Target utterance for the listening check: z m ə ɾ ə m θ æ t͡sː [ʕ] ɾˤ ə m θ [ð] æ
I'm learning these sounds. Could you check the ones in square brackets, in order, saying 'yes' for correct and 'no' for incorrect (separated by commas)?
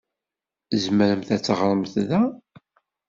no, yes